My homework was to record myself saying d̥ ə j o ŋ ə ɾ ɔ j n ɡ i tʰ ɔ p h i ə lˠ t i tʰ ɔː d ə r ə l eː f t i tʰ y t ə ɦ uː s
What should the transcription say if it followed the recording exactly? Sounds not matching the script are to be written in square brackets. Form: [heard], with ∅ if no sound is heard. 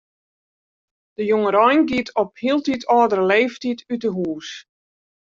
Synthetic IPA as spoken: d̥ ə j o ŋ ə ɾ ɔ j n ɡ i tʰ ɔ p h i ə lˠ t i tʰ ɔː d ə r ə l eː f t i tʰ y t ə ɦ uː s